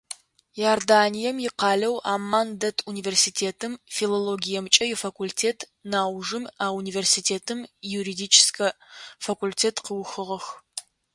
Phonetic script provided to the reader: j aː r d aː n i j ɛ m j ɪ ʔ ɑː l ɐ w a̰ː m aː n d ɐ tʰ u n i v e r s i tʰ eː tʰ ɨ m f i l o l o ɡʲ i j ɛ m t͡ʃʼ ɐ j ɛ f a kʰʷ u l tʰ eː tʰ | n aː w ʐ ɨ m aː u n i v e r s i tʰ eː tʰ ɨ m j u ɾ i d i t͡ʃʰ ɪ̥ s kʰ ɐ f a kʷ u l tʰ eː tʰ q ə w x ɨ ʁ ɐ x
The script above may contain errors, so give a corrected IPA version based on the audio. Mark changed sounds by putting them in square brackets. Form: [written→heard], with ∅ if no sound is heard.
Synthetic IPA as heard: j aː r d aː n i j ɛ m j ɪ [ʔ→q] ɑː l ɐ w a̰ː m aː n d ɐ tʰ u n i v e r s i tʰ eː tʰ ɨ m f i l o l o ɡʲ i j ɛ m t͡ʃʼ ɐ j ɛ f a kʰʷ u l tʰ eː tʰ | n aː w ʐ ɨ m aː u n i v e r s i tʰ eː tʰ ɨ m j u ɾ i d i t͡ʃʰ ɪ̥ s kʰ ɐ f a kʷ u l tʰ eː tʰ q ə w x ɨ ʁ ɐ x